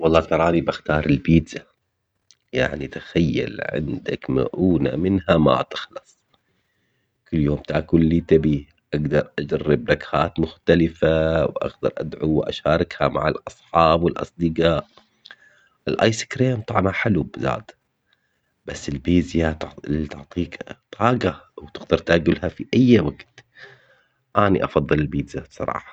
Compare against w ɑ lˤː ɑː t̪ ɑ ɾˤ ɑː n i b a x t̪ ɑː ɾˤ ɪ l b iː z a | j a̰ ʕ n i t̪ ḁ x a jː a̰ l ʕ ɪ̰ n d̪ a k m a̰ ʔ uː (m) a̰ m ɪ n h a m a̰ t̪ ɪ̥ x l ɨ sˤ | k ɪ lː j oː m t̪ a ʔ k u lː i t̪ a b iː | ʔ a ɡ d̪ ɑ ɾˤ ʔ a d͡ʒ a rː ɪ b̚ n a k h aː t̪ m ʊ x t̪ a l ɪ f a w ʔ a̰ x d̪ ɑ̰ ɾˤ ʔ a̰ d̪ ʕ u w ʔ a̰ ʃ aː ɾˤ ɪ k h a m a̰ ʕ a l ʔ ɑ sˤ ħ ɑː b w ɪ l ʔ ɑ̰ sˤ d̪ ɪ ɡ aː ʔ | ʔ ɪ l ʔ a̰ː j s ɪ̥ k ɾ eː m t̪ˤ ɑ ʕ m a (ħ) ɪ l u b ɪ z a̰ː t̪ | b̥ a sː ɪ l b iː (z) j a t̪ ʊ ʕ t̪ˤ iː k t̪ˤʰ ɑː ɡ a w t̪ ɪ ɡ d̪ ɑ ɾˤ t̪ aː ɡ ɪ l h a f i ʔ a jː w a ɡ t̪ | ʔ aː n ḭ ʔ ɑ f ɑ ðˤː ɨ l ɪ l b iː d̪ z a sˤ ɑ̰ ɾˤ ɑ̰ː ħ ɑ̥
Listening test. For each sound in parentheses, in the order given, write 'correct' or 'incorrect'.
incorrect: n, correct, correct

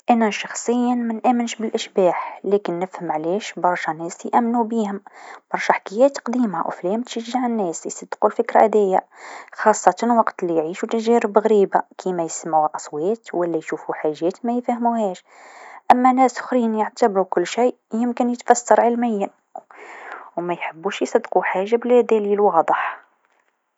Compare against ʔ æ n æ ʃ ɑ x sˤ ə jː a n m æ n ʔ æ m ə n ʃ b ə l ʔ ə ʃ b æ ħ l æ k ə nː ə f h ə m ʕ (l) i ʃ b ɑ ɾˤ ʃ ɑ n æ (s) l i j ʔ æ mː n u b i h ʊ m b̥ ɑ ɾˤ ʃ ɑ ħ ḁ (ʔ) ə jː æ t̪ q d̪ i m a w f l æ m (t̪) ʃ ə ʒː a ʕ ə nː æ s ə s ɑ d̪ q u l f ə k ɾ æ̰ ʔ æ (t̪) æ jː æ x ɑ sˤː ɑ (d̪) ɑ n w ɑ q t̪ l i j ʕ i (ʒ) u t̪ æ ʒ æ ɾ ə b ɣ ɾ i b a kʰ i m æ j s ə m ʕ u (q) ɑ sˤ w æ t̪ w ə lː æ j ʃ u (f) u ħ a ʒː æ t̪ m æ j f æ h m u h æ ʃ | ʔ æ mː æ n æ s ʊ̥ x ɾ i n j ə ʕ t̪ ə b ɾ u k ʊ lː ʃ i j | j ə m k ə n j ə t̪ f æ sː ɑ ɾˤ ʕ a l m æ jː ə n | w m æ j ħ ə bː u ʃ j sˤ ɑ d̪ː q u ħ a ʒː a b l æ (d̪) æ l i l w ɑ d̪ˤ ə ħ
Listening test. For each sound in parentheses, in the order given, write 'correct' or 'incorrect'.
correct, correct, incorrect: k, correct, incorrect: d̪, incorrect: t̪, incorrect: ʃ, incorrect: ʔ, correct, correct

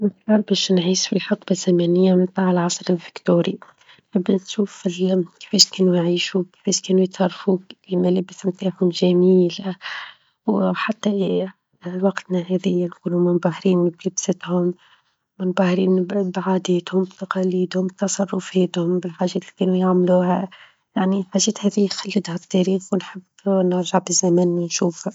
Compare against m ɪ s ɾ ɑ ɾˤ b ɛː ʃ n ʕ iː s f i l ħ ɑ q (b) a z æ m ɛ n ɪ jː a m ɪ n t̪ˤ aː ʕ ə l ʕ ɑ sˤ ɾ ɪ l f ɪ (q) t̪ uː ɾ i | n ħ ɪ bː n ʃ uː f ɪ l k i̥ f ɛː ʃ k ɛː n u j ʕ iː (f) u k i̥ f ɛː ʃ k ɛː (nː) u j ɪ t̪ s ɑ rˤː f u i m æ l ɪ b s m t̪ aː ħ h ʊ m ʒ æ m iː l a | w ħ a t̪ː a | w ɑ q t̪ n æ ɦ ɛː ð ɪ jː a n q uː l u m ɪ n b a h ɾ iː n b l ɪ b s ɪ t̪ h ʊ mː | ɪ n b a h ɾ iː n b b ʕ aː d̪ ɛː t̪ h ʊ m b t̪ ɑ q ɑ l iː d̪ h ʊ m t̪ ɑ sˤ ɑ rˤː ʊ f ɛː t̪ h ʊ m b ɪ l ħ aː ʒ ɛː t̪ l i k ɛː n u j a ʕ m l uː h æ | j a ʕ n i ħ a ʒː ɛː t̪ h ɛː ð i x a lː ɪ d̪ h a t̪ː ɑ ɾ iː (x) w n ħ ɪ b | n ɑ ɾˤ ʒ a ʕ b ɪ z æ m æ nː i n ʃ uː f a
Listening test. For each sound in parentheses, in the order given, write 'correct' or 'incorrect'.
correct, incorrect: k, incorrect: ʃ, incorrect: n, correct

